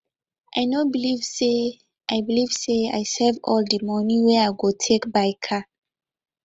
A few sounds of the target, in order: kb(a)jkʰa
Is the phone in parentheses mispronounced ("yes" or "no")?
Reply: no